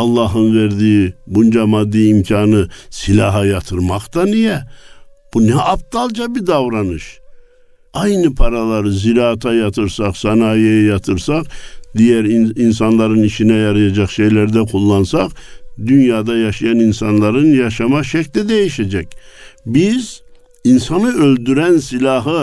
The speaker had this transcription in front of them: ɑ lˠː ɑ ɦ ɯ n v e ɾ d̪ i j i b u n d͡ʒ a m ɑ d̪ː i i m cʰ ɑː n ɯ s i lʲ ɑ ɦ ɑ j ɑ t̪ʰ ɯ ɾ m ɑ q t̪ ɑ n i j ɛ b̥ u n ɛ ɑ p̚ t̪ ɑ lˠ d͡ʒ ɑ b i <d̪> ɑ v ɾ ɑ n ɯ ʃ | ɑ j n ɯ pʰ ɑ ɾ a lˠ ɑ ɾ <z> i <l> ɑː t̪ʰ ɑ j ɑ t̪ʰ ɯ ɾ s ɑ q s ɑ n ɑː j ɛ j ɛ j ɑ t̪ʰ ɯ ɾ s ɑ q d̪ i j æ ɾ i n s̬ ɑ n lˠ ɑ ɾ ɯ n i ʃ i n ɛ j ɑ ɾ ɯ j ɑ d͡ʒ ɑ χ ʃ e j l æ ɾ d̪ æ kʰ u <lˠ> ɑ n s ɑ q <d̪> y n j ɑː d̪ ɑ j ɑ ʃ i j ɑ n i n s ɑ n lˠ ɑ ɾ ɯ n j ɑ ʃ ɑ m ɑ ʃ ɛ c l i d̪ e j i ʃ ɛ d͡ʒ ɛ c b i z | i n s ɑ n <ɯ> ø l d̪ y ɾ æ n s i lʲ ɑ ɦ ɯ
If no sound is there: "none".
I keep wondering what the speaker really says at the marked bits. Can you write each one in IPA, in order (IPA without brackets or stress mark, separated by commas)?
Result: d̪, z, ɾ, lˠː, d̪, ɯ